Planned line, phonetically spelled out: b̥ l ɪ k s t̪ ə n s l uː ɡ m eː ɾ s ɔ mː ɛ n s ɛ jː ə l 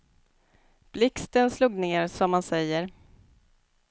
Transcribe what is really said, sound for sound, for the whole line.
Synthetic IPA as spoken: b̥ l ɪ k s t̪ ə n s l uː ɡ n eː ɾ s ɔ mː a n s ɛ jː ə ɾ